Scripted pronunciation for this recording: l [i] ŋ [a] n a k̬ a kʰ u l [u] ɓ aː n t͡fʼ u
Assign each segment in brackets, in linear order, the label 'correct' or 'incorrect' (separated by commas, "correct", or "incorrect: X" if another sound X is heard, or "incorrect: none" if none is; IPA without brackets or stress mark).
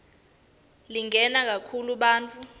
correct, incorrect: ɛ, correct